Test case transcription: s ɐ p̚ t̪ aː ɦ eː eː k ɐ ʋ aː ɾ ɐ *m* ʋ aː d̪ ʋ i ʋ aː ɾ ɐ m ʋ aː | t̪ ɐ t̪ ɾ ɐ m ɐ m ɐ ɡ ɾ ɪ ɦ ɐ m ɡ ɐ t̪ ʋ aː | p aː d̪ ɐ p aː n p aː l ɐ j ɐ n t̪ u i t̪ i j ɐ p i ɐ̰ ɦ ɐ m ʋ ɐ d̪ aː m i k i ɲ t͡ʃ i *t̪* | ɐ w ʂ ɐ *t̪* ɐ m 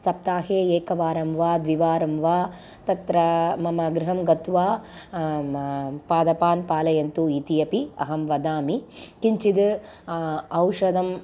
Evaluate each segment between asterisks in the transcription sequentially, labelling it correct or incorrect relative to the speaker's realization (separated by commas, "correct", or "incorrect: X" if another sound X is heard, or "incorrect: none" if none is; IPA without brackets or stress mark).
correct, incorrect: d̪, incorrect: d̪